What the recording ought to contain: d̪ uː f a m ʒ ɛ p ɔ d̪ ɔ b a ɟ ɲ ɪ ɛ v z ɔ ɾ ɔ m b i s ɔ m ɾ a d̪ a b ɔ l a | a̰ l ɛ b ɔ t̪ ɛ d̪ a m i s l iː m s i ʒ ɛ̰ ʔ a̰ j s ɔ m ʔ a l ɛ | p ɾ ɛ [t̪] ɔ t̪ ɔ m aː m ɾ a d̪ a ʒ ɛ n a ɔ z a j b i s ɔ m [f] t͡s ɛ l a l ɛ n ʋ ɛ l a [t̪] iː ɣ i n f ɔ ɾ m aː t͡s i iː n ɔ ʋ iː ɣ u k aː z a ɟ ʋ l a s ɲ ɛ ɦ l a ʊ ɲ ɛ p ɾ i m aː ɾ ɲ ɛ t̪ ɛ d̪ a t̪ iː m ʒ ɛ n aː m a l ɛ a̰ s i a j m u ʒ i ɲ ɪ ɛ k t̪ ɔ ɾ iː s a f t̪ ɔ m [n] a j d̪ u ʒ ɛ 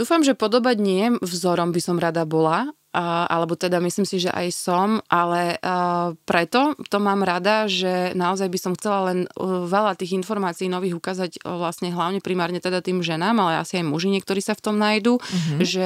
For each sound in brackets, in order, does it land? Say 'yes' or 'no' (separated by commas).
yes, no, yes, yes